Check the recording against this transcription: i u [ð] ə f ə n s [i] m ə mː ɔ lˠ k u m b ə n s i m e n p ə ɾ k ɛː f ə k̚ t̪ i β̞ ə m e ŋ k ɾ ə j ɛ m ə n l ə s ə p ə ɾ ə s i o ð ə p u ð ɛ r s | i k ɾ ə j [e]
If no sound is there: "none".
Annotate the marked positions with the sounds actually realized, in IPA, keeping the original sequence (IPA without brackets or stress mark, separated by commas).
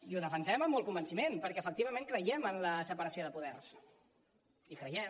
ð, ɛ, ɛ